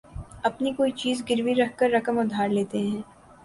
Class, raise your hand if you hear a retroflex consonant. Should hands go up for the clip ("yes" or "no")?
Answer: no